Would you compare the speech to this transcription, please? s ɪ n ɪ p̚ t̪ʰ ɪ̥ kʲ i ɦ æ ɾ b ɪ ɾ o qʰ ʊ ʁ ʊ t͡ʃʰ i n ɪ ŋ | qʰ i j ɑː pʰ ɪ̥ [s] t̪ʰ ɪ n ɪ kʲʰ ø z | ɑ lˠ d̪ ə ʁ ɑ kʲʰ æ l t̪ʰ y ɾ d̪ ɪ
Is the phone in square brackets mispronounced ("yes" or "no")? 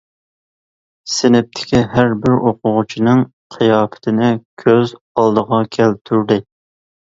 yes